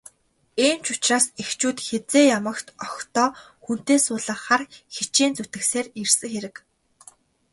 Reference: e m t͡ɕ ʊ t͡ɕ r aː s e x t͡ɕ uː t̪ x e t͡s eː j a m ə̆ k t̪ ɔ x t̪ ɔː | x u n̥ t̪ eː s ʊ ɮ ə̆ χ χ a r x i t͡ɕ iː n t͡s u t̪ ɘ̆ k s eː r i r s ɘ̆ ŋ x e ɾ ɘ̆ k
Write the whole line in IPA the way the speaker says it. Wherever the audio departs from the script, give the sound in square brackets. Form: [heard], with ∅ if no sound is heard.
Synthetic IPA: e m t͡ɕ ʊ t͡ɕ r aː s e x t͡ɕ uː t̪ x e t͡s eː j a m ə̆ k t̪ ɔ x t̪ ɔː | x u n̥ t̪ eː s [ʊː] ɮ ə̆ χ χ a r x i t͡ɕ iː n t͡s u t̪ ɘ̆ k s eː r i r s ɘ̆ ŋ x e ɾ ɘ̆ k